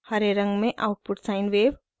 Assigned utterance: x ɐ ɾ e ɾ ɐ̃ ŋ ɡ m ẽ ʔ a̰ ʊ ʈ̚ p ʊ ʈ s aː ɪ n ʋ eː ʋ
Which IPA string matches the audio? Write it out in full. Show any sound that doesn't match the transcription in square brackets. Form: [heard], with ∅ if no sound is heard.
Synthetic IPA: [h] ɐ ɾ e ɾ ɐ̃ ŋ ɡ m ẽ ʔ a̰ ʊ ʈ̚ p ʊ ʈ s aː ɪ n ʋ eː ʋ